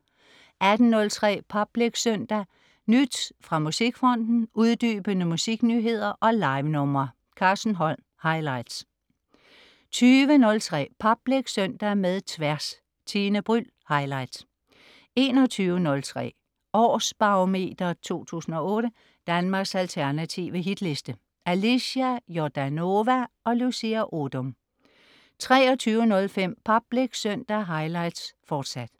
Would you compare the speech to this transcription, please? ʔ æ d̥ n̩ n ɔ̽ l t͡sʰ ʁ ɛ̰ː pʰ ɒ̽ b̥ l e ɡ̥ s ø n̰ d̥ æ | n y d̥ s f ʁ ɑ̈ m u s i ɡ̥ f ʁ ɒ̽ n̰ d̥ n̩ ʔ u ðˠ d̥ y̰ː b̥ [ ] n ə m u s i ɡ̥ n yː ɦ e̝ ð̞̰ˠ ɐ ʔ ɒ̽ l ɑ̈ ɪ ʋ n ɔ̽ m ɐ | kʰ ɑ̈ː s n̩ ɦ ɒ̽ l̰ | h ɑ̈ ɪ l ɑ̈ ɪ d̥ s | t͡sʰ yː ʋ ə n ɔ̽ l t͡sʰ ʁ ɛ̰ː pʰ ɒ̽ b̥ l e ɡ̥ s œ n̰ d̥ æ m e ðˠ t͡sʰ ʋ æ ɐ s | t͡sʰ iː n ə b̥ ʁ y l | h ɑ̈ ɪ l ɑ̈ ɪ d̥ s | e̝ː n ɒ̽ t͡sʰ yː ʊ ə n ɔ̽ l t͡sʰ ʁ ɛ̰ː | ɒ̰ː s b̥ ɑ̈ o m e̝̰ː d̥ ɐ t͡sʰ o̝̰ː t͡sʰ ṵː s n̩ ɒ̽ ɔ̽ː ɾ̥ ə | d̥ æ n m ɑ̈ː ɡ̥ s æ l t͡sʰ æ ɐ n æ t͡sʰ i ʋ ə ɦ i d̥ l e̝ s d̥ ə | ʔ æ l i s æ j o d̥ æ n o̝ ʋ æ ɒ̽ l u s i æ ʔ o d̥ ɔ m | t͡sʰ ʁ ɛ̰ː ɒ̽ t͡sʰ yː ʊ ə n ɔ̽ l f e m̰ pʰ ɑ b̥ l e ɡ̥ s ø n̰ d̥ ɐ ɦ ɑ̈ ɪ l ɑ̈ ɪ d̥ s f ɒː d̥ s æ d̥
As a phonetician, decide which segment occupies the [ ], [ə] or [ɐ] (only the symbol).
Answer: ə